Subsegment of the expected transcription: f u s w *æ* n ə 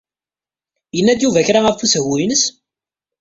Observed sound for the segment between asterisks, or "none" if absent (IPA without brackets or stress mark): i